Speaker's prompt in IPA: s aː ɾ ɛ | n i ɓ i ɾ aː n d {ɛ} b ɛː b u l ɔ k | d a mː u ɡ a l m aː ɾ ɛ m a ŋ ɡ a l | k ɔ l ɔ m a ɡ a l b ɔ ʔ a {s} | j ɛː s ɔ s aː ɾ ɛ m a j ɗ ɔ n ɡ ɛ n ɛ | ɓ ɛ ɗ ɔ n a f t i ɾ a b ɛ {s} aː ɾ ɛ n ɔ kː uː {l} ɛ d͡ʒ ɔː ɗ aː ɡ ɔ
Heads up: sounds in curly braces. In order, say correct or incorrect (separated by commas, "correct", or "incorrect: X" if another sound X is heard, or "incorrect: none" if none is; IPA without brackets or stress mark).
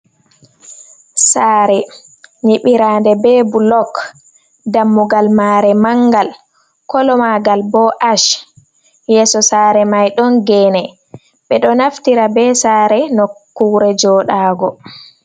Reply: correct, incorrect: ʃ, correct, incorrect: ɾ